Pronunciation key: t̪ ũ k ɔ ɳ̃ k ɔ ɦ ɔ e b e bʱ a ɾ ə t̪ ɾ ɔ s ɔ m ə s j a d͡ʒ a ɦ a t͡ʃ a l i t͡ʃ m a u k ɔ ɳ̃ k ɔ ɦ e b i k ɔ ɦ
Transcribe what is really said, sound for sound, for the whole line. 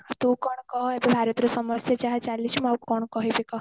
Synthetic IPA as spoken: t̪ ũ k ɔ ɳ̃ k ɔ ɦ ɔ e b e bʱ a ɾ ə t̪ ɾ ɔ s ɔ m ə s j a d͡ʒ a ɦ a t͡ʃ a l i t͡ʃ m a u k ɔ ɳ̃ k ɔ ɦ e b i k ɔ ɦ